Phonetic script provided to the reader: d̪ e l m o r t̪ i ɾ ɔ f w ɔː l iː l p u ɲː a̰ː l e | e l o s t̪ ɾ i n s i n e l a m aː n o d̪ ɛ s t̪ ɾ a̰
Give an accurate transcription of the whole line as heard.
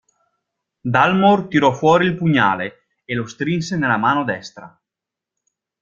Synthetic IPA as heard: d̪ a l m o r t̪ i ɾ ɔ f w ɔː ɾ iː l p u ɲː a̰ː l e | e l o s t̪ ɾ i n s e n e l a m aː n o d̪ ɛ s t̪ ɾ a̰